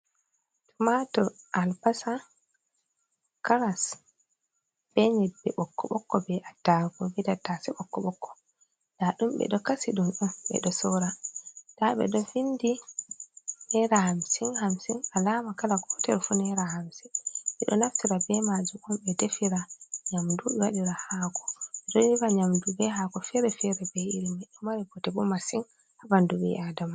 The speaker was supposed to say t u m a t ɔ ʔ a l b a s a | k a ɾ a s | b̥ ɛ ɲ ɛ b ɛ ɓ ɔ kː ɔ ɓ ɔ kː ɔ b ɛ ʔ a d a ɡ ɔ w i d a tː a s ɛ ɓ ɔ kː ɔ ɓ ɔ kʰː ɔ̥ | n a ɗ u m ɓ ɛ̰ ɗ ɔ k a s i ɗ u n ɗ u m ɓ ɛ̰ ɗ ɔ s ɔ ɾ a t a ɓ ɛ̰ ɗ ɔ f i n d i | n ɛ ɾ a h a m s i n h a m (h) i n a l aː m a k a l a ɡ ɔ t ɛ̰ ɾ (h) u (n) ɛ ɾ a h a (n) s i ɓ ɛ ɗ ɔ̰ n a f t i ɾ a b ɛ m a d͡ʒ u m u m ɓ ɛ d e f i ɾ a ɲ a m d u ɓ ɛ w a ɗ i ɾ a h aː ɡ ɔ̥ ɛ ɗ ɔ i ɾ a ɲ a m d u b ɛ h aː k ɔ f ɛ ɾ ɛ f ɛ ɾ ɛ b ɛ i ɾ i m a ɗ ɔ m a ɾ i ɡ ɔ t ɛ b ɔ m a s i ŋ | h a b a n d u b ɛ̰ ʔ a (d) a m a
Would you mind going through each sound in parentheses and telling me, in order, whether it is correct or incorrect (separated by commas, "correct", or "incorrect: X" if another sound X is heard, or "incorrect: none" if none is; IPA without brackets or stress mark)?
incorrect: s, incorrect: f, correct, incorrect: m, correct